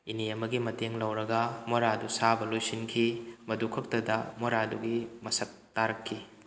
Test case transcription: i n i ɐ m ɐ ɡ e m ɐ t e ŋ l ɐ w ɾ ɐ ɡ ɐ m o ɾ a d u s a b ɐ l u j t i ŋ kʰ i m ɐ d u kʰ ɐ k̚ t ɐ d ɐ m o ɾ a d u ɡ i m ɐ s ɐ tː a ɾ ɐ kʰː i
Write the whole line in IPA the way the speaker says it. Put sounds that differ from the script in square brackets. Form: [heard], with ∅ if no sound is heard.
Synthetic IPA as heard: i n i ɐ m ɐ ɡ [i] m ɐ t e ŋ l ɐ w ɾ ɐ ɡ ɐ m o ɾ a d u s a b ɐ l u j [s] i [n] kʰ i m ɐ d u kʰ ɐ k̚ t ɐ d ɐ m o ɾ a d u ɡ i m ɐ s ɐ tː a ɾ ɐ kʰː i